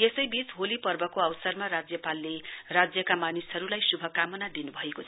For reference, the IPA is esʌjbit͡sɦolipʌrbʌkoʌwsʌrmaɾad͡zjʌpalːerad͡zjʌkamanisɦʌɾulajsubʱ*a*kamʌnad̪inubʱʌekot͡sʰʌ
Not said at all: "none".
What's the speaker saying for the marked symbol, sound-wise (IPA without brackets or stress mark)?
ʌ